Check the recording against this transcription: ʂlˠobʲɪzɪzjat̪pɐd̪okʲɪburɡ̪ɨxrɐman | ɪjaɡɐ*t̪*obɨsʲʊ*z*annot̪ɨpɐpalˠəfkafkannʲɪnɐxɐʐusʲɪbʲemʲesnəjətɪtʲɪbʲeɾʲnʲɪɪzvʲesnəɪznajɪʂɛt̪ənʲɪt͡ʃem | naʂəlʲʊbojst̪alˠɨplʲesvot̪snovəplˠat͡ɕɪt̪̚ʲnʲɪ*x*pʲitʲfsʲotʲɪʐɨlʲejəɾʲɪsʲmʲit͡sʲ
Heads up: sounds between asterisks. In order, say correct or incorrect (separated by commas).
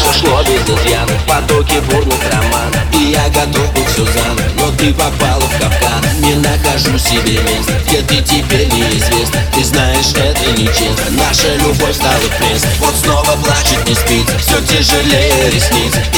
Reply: correct, correct, incorrect